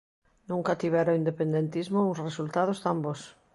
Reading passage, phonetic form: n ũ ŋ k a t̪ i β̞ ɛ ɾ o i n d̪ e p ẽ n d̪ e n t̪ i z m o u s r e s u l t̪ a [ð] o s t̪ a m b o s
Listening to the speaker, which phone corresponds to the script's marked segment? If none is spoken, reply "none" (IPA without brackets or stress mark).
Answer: ð